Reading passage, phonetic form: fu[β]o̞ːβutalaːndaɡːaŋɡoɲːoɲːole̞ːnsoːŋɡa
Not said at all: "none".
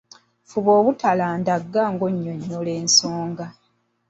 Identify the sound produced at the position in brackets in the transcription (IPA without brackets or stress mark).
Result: β